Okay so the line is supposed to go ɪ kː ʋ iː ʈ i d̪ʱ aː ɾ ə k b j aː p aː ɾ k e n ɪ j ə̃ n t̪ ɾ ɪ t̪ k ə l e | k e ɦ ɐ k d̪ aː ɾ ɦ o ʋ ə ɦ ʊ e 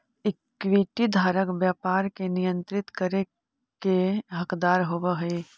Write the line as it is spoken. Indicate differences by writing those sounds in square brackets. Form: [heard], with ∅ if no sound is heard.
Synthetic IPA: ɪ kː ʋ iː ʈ i d̪ʱ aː ɾ ə k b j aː p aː ɾ k e n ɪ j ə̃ n t̪ ɾ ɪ t̪ k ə [ɾ] e | k e ɦ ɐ k d̪ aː ɾ ɦ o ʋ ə ɦ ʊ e